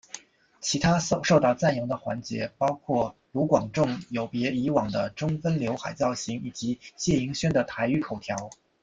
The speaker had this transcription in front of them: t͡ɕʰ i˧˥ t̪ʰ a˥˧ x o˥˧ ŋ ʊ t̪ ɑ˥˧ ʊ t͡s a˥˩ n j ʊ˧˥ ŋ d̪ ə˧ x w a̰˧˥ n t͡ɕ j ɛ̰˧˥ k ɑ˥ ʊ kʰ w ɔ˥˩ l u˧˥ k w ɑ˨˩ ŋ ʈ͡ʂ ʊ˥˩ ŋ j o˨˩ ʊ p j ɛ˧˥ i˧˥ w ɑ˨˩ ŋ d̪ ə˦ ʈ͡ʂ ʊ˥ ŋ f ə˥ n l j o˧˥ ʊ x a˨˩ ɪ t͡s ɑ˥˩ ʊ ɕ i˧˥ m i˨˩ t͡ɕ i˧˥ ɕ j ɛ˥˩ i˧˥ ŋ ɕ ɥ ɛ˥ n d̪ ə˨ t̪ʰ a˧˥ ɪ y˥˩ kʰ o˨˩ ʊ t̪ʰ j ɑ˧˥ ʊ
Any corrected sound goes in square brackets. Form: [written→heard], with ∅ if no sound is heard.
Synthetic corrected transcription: t͡ɕʰ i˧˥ t̪ʰ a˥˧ [x→ʂ] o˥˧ [ŋ→∅] ʊ t̪ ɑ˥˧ ʊ t͡s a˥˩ n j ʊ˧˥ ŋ d̪ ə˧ x w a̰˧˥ n t͡ɕ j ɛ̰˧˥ [k→p] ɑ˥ ʊ kʰ w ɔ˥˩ l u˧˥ k w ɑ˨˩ ŋ ʈ͡ʂ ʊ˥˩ ŋ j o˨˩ ʊ p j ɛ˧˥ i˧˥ w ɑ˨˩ ŋ d̪ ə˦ ʈ͡ʂ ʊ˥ ŋ f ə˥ n l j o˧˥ ʊ x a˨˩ ɪ t͡s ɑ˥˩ ʊ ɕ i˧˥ [m→ŋ] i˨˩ t͡ɕ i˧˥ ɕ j ɛ˥˩ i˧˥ ŋ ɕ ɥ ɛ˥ n d̪ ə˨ t̪ʰ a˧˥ ɪ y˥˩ kʰ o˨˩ ʊ t̪ʰ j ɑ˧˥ ʊ